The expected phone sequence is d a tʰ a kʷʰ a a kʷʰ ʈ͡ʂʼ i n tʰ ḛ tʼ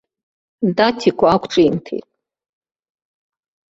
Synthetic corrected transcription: d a tʰ i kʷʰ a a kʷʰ ʈ͡ʂʼ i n tʰ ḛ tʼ